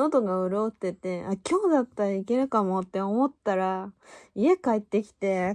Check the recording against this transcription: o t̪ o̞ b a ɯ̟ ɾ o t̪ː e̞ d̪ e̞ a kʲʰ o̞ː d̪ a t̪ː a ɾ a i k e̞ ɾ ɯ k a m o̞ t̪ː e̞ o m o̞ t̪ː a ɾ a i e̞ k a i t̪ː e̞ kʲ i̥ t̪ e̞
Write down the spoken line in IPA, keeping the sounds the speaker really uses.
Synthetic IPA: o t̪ o̞ ɡ a ɯ̟ ɾ o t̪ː e̞ t̪ e̞ a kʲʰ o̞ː d̪ a t̪ː a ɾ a i k e̞ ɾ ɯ k a m o̞ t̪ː e̞ o m o̞ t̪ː a ɾ a i e̞ k a i t̪ː e̞ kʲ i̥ t̪ e̞